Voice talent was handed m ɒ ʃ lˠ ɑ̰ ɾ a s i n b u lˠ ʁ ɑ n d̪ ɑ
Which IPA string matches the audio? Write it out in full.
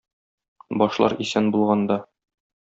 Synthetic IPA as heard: b ɒ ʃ lˠ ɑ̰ ɾ i s æ n b u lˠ ʁ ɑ n d̪ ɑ